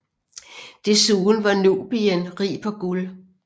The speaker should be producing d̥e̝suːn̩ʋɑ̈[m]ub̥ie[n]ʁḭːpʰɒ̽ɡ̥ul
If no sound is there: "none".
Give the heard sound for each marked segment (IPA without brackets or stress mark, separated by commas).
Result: n, n